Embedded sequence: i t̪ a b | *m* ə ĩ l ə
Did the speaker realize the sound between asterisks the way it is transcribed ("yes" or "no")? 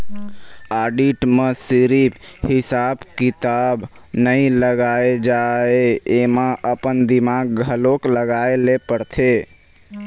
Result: no